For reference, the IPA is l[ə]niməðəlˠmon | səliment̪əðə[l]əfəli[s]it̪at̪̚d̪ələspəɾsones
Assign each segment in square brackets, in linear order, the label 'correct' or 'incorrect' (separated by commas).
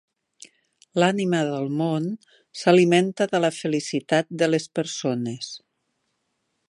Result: incorrect, correct, correct